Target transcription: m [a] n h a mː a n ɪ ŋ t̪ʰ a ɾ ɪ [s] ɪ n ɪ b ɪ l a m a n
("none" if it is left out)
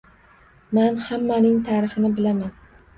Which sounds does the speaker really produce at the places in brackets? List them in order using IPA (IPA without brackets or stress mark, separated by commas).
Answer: a, χ